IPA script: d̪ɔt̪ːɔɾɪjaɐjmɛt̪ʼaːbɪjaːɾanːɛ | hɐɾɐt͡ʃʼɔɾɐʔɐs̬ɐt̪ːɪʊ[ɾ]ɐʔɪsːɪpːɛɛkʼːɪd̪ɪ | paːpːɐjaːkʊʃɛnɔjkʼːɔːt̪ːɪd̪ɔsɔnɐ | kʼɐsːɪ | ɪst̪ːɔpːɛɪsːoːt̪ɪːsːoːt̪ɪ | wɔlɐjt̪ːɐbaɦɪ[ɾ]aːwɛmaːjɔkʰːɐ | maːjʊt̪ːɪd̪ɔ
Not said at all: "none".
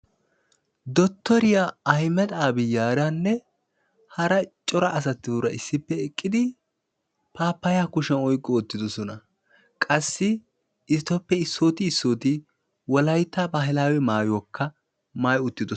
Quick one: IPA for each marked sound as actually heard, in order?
ɾ, l

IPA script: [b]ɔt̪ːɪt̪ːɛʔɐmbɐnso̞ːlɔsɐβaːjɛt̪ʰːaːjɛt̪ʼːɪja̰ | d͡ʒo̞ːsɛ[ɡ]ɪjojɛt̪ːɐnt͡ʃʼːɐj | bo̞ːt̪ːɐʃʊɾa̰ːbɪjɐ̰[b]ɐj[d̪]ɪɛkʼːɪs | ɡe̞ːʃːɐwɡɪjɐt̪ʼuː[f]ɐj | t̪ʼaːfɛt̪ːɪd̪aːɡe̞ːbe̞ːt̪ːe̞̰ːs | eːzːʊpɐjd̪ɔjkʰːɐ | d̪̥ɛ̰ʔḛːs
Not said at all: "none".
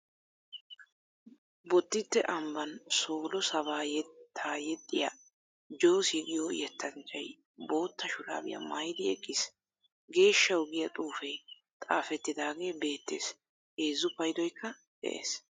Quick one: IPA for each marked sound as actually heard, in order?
b, ɡ, m, d̪, f

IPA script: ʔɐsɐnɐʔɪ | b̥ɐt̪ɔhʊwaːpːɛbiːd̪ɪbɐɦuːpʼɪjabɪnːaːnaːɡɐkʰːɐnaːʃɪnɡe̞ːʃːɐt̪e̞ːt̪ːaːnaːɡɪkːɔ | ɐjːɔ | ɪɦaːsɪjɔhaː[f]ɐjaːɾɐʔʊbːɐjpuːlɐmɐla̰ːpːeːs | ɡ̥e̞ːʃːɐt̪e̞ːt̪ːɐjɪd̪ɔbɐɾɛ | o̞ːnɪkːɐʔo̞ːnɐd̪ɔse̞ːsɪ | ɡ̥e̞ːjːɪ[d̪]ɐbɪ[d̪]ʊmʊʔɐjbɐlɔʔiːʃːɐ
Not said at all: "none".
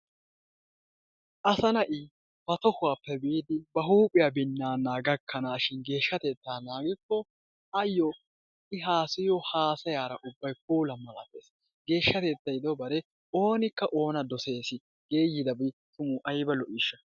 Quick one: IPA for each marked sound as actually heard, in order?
s, d̪, t̪

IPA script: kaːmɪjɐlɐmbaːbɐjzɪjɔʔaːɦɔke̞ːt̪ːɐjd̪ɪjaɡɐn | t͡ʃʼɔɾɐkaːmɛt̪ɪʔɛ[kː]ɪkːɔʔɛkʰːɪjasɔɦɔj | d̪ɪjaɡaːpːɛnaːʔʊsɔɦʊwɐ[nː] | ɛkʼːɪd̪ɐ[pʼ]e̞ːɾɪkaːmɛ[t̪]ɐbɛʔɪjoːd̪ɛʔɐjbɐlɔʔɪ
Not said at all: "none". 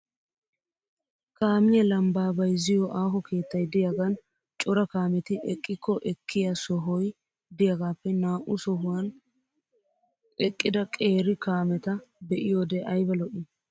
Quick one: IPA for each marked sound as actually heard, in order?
kʼː, n, kʼ, t̪

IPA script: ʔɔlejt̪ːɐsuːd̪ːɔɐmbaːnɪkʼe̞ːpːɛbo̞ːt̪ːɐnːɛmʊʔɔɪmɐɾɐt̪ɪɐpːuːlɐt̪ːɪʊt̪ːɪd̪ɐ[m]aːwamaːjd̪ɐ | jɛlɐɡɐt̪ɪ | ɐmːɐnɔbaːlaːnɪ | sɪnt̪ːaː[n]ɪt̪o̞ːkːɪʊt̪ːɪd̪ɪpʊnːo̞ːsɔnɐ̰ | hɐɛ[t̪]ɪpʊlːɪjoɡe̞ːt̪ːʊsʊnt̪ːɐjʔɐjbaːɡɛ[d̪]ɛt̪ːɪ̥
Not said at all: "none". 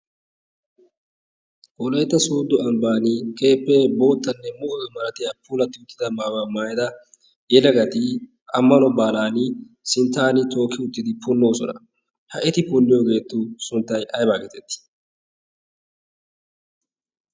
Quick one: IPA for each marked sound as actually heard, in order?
m, n, t̪, t̪

